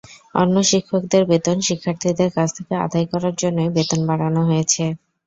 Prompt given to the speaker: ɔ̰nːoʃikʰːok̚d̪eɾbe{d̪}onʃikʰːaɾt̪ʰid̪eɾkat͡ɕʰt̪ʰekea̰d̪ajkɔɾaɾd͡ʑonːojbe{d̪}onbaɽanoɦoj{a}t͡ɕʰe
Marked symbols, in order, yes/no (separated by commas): no, no, no